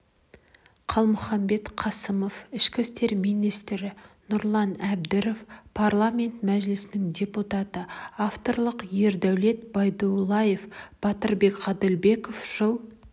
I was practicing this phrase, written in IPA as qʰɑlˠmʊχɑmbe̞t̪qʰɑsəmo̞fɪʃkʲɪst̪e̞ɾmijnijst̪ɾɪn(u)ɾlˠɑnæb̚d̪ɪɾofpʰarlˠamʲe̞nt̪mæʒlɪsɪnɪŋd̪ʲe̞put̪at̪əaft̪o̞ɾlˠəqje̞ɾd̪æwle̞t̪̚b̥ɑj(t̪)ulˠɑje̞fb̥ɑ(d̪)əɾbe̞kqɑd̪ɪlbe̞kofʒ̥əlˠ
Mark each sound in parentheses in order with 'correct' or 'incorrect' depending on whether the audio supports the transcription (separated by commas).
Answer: incorrect, incorrect, incorrect